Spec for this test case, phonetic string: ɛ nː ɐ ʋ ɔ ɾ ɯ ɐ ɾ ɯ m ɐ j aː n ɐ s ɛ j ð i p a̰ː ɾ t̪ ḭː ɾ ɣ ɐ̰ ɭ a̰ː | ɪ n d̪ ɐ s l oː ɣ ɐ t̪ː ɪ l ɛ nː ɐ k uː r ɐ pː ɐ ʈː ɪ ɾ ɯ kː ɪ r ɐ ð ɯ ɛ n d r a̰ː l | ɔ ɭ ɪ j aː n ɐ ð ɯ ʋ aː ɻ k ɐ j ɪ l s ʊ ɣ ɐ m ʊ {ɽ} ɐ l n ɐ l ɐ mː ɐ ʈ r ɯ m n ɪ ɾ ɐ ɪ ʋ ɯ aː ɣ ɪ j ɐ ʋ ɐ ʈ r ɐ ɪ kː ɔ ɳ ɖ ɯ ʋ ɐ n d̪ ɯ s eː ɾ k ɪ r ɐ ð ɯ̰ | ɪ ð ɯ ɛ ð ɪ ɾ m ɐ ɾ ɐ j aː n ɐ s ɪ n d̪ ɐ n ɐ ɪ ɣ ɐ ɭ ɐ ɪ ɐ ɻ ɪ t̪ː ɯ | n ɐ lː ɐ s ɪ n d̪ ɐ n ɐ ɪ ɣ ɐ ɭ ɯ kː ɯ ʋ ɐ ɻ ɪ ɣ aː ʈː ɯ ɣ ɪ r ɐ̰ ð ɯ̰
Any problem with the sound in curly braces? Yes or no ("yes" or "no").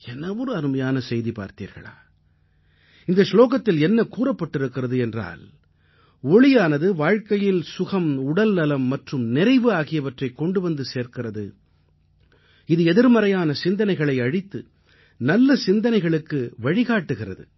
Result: no